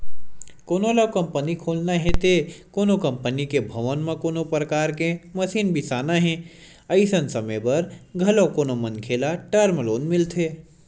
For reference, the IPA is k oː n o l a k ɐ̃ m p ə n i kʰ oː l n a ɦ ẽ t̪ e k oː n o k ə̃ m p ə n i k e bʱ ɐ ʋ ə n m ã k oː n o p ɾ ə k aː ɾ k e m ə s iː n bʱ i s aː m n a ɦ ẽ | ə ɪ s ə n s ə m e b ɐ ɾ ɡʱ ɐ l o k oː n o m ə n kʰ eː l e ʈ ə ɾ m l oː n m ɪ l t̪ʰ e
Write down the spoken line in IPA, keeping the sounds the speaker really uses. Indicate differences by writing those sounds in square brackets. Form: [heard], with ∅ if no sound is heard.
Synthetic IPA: k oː n o l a k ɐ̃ m p ə n i kʰ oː l n a ɦ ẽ t̪ e k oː n o k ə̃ m p ə n i k e bʱ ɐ ʋ ə n m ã k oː n o p ɾ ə k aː ɾ k e m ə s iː n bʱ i s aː [∅] n a ɦ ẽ | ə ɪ s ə n s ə m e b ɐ ɾ ɡʱ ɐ l o k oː n o m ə n kʰ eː l [a] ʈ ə ɾ m l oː n m ɪ l t̪ʰ e

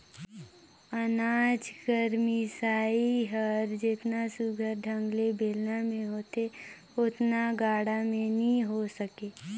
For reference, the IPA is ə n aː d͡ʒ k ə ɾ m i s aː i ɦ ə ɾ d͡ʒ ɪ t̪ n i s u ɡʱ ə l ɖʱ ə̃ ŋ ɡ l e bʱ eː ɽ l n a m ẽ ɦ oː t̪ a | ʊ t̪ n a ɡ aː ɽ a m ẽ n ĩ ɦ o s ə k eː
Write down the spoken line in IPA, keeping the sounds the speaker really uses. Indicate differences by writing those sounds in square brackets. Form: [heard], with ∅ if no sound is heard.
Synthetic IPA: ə n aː d͡ʒ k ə ɾ m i s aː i ɦ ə ɾ d͡ʒ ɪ t̪ n [a] s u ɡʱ ə [ɾ] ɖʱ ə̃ ŋ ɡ l e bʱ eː [∅] l n a m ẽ ɦ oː t̪ [e] | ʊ t̪ n a ɡ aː ɽ a m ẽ n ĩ ɦ o s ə k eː

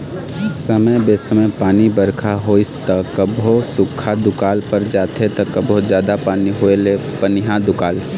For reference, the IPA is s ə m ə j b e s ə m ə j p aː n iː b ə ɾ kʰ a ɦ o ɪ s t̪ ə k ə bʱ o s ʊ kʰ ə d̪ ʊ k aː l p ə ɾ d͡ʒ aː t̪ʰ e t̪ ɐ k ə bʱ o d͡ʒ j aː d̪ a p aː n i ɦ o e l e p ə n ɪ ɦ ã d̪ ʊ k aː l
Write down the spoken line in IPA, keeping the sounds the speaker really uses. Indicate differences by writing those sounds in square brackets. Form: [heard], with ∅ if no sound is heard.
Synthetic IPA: s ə m ə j b e s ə m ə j p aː n [i] b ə ɾ kʰ a ɦ o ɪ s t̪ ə k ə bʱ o s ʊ kʰ [a] d̪ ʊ k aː l p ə ɾ d͡ʒ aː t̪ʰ e t̪ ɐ k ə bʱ o d͡ʒ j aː d̪ a p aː n i ɦ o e l e p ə n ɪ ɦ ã d̪ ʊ k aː l

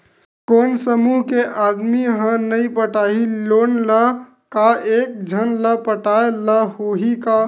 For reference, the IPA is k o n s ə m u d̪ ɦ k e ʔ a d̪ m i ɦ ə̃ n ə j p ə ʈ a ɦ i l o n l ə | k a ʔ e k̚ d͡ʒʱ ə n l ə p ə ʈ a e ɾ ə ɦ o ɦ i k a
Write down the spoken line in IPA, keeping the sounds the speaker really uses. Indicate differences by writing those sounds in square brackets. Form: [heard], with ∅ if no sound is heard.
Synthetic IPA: k o n s ə m u [∅] ɦ k e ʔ a d̪ m i ɦ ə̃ n ə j p ə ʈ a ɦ i l o n l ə | k a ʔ e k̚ d͡ʒʱ ə n l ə p ə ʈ a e [l] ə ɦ o ɦ i k a

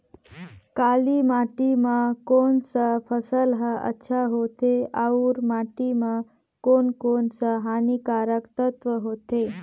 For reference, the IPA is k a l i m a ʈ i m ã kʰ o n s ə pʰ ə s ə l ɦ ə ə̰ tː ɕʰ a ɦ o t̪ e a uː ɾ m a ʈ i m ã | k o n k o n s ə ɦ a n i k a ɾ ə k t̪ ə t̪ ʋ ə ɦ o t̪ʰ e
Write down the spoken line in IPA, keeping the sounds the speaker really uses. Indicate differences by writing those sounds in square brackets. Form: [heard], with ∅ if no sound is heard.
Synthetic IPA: k a l i m a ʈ i m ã [k] o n s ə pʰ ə s ə l ɦ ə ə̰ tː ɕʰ a ɦ o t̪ e a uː ɾ m a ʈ i m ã | k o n k o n s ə ɦ a n i k a ɾ ə k t̪ ə t̪ ʋ ə ɦ o [t̪] e

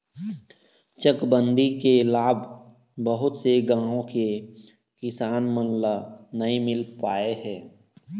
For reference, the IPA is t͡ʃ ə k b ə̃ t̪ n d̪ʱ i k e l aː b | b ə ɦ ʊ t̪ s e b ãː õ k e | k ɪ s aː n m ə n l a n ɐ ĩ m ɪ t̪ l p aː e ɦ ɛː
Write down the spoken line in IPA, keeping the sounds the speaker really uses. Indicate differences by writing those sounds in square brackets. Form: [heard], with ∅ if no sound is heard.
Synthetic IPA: t͡ʃ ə k b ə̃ [∅] n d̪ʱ i k e l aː b | b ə ɦ ʊ t̪ s e [ɡ] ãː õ k e | k ɪ s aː n m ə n l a n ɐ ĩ m ɪ [∅] l p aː e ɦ ɛː

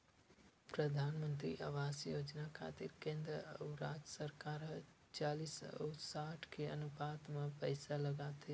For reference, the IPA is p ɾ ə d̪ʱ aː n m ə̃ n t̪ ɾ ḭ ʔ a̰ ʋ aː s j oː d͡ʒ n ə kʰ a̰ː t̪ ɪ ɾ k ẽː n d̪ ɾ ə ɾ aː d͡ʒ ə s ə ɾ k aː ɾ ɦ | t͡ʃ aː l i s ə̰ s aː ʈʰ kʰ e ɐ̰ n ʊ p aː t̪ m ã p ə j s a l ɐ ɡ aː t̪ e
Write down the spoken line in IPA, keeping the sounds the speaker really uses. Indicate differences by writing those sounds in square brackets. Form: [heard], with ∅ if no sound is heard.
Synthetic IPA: p ɾ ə d̪ʱ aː n m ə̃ n t̪ ɾ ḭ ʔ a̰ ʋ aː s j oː d͡ʒ n [a] kʰ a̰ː t̪ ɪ ɾ k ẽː n d̪ ɾ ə ɾ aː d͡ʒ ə s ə ɾ k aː ɾ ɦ | t͡ʃ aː l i s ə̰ s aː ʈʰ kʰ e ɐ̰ n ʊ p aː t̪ m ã p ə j s a l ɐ ɡ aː t̪ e

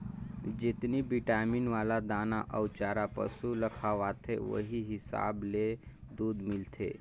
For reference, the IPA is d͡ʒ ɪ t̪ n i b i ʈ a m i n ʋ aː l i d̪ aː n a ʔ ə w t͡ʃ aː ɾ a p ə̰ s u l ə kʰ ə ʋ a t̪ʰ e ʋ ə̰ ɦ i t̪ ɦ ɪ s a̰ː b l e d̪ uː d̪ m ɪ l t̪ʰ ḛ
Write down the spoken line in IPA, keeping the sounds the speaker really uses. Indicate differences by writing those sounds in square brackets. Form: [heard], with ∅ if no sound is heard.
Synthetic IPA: d͡ʒ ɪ t̪ n i b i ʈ a m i n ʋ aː l [a] d̪ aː n a ʔ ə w t͡ʃ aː ɾ a p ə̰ s u l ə kʰ [a] ʋ a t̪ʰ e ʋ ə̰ ɦ i [∅] ɦ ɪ s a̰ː b l e d̪ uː d̪ m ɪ l t̪ʰ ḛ

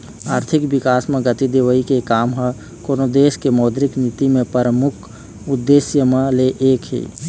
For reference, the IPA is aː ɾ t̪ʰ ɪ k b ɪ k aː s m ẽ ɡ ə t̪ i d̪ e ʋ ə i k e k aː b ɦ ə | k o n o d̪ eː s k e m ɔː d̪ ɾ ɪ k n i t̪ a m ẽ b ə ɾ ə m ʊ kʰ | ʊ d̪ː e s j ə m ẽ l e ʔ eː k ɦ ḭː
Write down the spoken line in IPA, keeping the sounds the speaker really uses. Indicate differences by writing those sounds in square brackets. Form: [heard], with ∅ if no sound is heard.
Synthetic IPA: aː ɾ t̪ʰ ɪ k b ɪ k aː s m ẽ ɡ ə t̪ i d̪ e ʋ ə i k e k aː [m] ɦ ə | k o n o d̪ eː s k e m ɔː d̪ ɾ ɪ k n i t̪ [i] m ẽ [p] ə ɾ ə m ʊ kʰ | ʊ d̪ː e s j ə m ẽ l e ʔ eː k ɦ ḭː

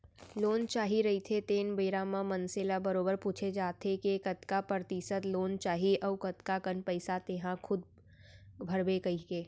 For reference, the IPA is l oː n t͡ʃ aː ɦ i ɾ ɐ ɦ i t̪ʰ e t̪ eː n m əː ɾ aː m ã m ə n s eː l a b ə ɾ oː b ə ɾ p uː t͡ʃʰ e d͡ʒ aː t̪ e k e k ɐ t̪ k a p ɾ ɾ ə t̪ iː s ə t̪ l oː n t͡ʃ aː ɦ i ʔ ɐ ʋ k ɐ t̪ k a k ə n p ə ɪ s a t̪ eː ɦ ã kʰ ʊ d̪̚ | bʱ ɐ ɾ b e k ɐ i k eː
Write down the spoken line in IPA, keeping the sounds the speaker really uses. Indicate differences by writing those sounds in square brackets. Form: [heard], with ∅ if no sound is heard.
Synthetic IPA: l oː n t͡ʃ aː ɦ i ɾ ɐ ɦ i t̪ʰ e t̪ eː n [b] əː ɾ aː m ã m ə n s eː l a b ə ɾ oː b ə ɾ p uː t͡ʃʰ e d͡ʒ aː t̪ e k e k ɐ t̪ k a p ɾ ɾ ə t̪ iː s ə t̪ l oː n t͡ʃ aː ɦ i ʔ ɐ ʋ k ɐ t̪ k a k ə n p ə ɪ s a t̪ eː ɦ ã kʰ ʊ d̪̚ | bʱ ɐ ɾ b e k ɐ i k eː

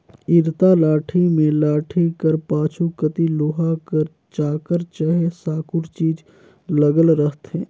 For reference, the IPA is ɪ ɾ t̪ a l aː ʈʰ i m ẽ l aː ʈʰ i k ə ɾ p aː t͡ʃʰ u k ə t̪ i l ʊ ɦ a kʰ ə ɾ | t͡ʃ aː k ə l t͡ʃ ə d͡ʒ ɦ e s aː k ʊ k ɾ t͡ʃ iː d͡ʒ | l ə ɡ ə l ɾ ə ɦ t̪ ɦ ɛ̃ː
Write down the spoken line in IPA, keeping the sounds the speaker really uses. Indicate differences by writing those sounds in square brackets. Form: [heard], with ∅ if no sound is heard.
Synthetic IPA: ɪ ɾ t̪ a l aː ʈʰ i m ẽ l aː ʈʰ i k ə ɾ p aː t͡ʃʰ u k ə t̪ i l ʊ ɦ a [k] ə ɾ | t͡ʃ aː k ə [ɾ] t͡ʃ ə [∅] ɦ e s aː k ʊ [∅] ɾ t͡ʃ iː d͡ʒ | l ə ɡ ə l ɾ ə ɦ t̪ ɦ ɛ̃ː

